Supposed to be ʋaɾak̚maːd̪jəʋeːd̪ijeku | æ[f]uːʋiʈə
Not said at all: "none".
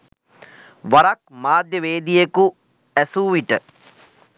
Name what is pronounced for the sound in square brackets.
s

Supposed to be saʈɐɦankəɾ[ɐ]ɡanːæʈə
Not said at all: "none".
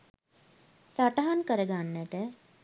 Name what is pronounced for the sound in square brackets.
ə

